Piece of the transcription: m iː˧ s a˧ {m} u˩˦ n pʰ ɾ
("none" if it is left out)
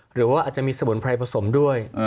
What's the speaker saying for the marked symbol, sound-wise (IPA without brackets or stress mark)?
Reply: m